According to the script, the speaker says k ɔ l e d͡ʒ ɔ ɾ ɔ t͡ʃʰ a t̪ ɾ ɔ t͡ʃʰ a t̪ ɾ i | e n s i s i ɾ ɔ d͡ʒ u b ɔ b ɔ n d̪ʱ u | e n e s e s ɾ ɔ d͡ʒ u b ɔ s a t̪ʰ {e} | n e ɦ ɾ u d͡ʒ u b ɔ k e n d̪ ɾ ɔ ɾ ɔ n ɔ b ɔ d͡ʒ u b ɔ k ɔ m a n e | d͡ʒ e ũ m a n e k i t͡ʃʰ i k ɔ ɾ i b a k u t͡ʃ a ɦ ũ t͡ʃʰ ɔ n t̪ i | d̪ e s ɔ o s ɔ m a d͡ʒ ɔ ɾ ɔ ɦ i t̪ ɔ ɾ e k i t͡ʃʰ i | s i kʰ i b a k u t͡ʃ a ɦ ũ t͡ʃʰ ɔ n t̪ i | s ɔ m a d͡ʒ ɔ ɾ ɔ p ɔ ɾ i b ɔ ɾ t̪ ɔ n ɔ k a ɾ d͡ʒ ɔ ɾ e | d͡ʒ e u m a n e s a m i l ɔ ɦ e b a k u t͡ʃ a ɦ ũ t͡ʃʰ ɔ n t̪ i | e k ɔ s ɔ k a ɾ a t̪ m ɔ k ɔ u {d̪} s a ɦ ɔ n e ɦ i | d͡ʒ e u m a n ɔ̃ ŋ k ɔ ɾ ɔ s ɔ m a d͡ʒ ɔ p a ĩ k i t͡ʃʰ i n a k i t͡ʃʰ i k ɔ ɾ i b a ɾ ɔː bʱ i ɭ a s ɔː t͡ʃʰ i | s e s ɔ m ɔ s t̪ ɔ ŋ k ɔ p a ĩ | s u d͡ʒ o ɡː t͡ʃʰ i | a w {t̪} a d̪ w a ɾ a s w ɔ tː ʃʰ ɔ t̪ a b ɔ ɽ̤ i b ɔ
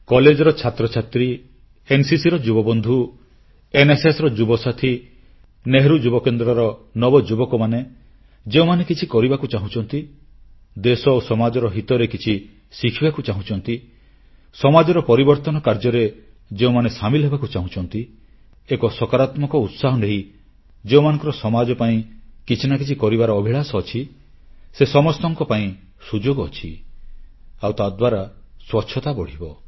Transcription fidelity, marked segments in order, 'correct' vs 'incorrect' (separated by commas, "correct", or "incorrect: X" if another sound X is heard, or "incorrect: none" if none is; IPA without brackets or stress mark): incorrect: i, incorrect: t̪, correct